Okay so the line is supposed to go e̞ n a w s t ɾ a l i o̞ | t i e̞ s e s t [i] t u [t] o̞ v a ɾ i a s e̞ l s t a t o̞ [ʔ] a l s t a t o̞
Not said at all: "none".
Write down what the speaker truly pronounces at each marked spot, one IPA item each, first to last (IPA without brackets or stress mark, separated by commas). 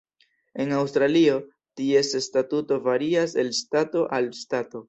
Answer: a, t, ʔ